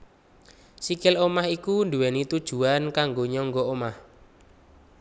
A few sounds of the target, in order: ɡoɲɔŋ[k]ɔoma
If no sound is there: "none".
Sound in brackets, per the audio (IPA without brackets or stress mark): ɡ